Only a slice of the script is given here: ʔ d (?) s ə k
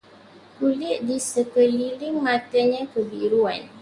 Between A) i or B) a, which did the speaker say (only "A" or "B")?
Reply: A